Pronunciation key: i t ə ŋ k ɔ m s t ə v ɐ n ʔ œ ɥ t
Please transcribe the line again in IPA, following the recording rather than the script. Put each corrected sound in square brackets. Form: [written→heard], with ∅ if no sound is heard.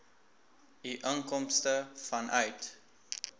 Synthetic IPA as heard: i [t→ʔ] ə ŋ k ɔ m s t ə [v→f] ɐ n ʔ œ ɥ t